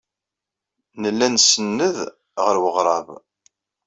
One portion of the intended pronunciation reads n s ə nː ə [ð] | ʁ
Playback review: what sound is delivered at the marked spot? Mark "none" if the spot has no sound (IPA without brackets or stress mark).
ð